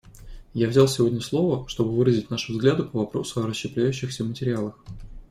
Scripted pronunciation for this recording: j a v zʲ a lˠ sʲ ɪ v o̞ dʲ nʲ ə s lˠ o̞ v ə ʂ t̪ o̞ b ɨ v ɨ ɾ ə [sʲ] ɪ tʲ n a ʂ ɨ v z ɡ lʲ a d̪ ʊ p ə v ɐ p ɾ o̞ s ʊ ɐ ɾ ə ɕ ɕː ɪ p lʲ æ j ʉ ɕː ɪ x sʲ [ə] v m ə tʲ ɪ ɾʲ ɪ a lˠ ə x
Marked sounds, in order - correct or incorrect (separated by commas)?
incorrect, correct